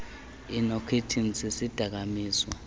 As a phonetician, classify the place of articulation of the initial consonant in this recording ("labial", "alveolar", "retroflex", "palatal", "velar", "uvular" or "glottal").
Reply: alveolar